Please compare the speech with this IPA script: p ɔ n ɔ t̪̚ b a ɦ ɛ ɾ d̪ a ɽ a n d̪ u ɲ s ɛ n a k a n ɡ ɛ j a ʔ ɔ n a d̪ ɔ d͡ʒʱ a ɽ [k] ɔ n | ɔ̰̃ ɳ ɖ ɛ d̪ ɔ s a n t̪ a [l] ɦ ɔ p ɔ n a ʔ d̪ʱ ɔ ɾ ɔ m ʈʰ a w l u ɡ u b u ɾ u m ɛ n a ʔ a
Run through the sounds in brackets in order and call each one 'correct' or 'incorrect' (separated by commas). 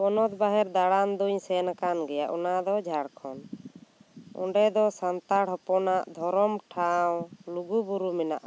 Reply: incorrect, incorrect